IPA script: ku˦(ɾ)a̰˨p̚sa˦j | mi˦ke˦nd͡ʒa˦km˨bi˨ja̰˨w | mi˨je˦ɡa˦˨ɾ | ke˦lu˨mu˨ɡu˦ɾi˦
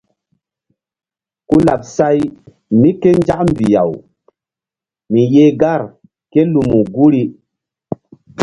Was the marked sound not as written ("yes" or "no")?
yes